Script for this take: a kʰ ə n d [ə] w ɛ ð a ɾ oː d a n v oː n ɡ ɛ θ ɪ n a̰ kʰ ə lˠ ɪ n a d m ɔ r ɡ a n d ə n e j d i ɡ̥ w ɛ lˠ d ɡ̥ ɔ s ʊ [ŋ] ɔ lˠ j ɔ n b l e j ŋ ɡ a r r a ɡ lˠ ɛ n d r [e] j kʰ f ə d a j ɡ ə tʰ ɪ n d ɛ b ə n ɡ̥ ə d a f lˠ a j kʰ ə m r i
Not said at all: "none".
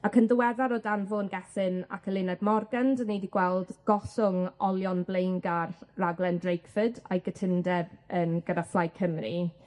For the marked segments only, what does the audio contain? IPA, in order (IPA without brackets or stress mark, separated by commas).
ə, ŋ, e